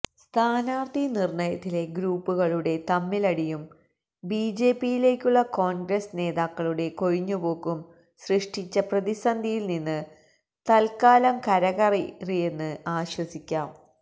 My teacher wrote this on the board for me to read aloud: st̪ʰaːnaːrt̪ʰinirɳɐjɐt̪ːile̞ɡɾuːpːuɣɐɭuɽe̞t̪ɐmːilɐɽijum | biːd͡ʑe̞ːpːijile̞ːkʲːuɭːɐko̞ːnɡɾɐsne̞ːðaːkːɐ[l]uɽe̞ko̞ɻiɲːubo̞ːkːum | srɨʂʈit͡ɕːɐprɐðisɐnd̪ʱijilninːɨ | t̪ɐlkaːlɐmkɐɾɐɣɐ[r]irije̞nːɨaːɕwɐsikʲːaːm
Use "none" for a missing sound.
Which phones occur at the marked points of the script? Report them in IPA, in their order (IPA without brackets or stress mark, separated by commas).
ɭ, r